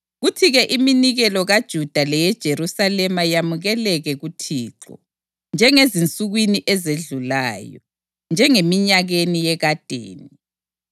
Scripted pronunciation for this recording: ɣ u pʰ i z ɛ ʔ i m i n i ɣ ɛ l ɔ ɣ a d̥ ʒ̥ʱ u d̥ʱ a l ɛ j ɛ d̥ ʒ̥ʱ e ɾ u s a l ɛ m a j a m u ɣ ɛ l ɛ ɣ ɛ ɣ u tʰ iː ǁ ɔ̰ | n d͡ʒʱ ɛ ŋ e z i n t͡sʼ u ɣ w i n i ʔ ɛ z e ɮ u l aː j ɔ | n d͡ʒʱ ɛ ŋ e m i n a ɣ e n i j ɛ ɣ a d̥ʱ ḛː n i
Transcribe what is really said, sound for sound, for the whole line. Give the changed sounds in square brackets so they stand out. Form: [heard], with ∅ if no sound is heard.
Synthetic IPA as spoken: ɣ u [tʰ] i [ɣ] ɛ ʔ i m i n i ɣ ɛ l ɔ ɣ a d̥ ʒ̥ʱ u d̥ʱ a l ɛ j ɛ d̥ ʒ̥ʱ e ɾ u s a l ɛ m a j a m u ɣ ɛ l ɛ ɣ ɛ ɣ u tʰ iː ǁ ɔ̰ | n d͡ʒʱ ɛ ŋ e z i n t͡sʼ u ɣ w i n i ʔ ɛ z e ɮ u l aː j ɔ | n d͡ʒʱ ɛ ŋ e m i [ɲ] a ɣ e n i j ɛ ɣ a d̥ʱ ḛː n i